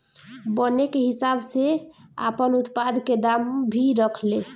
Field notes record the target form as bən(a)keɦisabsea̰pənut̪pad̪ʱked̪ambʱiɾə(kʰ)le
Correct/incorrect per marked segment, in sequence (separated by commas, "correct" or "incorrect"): incorrect, correct